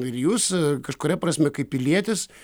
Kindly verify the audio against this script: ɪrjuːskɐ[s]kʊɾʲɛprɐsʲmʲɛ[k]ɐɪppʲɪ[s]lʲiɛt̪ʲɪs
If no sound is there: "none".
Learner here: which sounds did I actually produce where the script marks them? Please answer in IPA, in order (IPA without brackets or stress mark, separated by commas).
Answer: ʃ, k, none